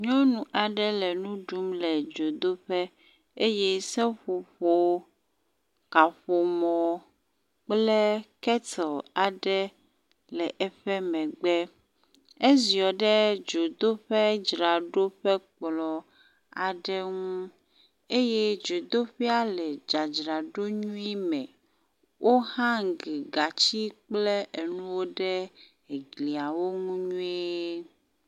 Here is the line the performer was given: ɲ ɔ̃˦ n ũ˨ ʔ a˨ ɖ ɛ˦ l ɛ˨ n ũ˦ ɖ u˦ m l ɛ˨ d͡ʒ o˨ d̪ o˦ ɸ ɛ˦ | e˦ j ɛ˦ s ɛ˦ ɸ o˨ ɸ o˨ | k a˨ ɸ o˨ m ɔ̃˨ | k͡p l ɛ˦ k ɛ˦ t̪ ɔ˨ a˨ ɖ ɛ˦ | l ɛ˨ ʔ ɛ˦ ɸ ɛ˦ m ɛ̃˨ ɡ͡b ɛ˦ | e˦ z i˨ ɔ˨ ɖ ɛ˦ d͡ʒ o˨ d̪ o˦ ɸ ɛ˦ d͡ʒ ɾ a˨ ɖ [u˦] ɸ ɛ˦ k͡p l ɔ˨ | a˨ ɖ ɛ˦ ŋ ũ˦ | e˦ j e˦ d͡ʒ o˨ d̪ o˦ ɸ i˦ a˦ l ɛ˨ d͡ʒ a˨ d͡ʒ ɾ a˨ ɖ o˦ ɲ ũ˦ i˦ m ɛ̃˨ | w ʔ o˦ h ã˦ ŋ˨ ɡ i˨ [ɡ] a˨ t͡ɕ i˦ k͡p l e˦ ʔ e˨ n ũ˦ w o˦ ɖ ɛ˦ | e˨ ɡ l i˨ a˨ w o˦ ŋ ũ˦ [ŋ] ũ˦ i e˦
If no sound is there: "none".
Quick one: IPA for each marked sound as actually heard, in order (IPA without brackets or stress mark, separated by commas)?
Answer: o˦, ɡ, ɲ